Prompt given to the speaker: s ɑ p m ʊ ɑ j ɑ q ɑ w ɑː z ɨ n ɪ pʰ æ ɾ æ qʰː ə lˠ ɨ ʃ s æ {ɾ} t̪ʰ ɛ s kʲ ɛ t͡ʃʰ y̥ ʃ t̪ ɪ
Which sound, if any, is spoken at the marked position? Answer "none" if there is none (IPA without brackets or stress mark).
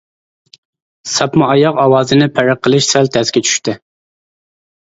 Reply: l